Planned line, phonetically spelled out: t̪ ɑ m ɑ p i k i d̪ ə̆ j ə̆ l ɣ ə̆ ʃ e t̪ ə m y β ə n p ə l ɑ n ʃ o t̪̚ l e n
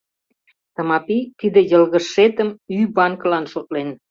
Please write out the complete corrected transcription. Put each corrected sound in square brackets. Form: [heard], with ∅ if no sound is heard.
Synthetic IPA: t̪ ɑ m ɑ p i k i d̪ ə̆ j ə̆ l ɣ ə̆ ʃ e t̪ ə m y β [ɑ] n [k] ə l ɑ n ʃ o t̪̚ l e n